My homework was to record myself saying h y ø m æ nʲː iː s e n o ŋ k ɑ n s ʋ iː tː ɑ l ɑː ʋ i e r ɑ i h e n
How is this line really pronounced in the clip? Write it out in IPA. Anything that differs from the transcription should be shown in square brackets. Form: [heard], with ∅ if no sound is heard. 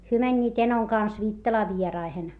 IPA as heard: h y ø m æ nʲː iː [t] e n o ŋ k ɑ n s ʋ iː tː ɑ l ɑː ʋ i e r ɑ i h e n